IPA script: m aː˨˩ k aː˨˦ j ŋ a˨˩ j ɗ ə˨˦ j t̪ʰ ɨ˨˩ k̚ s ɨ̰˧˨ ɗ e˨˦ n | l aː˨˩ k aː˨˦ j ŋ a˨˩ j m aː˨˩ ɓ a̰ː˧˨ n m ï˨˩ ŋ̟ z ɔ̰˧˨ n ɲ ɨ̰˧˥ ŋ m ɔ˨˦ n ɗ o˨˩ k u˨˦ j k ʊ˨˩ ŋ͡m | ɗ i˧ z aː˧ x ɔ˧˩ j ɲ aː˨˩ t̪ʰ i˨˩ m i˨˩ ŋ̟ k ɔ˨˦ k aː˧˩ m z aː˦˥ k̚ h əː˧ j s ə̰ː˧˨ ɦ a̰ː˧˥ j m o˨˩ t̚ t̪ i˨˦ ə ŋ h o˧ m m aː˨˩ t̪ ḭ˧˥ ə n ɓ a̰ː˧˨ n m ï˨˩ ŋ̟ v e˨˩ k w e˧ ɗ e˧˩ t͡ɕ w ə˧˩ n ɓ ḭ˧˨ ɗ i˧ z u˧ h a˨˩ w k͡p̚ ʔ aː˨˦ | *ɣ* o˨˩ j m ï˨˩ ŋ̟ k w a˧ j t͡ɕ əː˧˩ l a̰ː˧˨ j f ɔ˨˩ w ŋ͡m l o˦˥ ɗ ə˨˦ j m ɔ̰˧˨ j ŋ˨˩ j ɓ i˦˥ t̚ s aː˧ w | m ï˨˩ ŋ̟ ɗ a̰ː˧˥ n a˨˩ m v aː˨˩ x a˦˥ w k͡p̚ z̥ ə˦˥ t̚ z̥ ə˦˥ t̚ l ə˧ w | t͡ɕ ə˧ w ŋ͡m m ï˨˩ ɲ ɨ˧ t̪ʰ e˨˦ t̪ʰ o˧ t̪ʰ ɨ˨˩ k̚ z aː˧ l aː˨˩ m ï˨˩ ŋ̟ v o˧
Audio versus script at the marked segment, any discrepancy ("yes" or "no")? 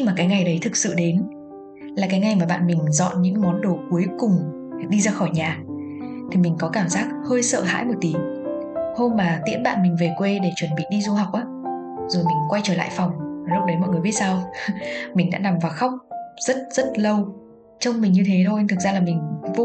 yes